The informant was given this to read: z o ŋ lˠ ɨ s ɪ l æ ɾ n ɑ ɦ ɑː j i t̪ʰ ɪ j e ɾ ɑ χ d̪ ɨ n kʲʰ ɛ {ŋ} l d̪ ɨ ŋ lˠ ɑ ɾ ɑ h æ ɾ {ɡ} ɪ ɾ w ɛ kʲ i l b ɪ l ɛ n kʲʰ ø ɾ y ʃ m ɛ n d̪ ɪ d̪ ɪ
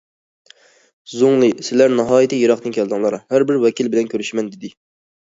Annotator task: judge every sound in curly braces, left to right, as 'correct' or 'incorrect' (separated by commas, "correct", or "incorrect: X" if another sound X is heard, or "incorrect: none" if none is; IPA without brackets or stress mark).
incorrect: none, incorrect: b